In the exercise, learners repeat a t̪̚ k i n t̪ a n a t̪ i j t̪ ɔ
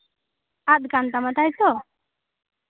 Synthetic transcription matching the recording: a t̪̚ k a n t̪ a m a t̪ a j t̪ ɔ